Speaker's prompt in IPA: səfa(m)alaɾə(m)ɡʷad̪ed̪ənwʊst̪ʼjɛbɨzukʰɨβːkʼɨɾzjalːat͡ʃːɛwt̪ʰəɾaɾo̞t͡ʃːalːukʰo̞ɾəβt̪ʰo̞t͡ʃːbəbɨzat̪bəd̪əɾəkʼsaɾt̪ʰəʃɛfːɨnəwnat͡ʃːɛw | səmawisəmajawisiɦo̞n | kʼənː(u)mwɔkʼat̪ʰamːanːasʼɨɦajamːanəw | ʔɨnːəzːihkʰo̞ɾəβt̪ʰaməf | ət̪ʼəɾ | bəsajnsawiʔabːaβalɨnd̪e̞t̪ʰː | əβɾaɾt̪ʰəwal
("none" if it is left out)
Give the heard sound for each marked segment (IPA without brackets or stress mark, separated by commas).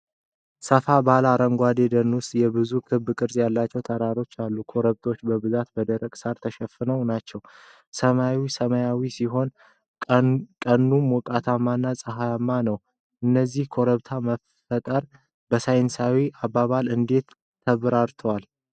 b, ŋ, u